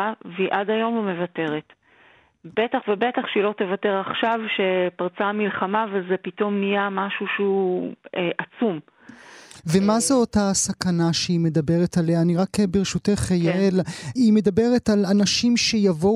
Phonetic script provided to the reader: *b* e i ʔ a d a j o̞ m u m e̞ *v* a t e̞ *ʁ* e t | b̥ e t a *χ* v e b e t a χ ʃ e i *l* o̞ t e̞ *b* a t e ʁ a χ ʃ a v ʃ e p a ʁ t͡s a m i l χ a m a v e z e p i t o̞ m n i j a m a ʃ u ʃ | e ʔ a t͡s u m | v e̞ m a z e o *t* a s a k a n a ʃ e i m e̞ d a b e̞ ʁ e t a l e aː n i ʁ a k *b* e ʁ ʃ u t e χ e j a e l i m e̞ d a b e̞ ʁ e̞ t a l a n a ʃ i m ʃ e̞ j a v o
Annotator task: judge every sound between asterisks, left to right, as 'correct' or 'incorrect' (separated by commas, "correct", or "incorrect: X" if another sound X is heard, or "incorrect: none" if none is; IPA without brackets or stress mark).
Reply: incorrect: v, correct, correct, correct, correct, incorrect: v, correct, correct